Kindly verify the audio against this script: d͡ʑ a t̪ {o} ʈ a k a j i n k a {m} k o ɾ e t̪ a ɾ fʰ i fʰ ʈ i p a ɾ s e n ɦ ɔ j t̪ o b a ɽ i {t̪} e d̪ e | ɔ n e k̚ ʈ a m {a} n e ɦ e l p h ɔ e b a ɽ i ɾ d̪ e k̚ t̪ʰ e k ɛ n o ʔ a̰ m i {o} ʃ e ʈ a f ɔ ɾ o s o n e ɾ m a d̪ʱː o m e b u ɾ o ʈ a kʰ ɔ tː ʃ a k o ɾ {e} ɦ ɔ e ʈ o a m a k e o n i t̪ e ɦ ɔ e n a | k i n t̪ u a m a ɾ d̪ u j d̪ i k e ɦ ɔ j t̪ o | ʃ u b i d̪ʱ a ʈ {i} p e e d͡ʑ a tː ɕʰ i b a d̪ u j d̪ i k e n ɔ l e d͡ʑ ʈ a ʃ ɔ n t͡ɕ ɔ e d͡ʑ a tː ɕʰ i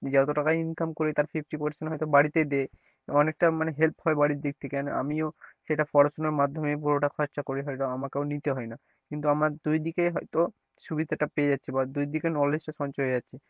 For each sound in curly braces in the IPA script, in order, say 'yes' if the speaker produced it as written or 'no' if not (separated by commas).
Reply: yes, yes, yes, yes, yes, no, no